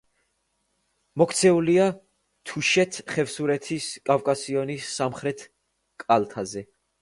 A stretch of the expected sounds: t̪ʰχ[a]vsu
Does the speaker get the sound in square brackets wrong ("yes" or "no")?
yes